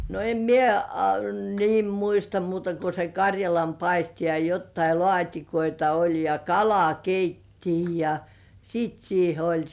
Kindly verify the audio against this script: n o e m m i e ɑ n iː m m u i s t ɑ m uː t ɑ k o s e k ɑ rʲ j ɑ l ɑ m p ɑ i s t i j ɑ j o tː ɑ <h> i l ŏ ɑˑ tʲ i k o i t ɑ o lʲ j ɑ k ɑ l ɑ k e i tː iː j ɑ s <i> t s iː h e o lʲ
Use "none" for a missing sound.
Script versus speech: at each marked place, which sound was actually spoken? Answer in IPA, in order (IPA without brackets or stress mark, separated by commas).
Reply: none, iː